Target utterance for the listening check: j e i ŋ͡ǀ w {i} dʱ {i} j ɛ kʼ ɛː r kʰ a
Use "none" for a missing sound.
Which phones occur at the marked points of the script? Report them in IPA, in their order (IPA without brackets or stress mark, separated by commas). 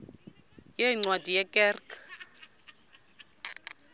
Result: a, i